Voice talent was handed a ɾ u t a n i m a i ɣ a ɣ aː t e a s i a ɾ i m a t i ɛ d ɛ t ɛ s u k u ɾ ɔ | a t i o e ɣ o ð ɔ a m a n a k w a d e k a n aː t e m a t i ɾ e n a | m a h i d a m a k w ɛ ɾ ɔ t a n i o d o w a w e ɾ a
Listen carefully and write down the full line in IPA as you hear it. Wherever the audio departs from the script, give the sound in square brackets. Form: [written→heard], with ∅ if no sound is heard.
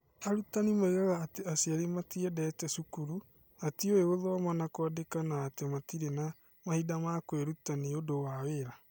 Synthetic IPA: a ɾ u t a n i m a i ɣ a ɣ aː t e a s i a ɾ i m a t i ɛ d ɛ t ɛ s u k u ɾ [ɔ→u] | a t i o e ɣ o ð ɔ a m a n a k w a d e k a n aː t e m a t i ɾ e n a | m a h i d a m a k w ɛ ɾ [ɔ→u] t a n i o d o w a w e ɾ a